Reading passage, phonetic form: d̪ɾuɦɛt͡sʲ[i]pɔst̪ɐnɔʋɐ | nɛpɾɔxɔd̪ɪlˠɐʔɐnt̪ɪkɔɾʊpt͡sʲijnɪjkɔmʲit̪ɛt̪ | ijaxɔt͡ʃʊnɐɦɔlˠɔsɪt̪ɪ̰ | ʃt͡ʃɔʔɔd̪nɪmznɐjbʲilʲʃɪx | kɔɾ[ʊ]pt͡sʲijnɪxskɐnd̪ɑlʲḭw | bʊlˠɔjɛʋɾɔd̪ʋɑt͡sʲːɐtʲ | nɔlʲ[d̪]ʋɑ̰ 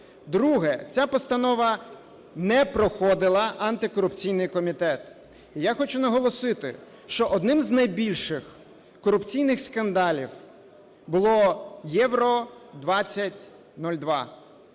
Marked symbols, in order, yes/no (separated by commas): no, yes, yes